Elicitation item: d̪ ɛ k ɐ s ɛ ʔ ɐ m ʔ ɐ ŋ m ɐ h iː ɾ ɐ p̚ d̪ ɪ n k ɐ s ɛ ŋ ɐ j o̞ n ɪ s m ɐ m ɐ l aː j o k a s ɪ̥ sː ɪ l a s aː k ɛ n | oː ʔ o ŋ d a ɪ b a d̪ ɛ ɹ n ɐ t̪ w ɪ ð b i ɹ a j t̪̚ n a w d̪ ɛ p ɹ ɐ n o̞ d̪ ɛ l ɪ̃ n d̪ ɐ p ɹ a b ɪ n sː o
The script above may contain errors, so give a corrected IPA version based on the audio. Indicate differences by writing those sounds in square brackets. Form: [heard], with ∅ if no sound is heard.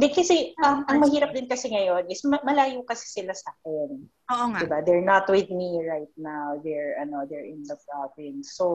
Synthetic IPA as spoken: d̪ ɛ k ɐ s ɛ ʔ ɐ m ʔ ɐ ŋ m ɐ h iː ɾ ɐ p̚ d̪ ɪ n k ɐ s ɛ ŋ ɐ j o̞ n ɪ s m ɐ m ɐ l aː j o k [ɐ] s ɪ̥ [s] ɪ l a s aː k ɛ n | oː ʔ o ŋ d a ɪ b a d̪ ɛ ɹ n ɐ t̪ w ɪ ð [m] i ɹ a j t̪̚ n a w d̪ ɛ [∅] ɹ ɐ n o̞ d̪ ɛ [ɹ] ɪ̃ n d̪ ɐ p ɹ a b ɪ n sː o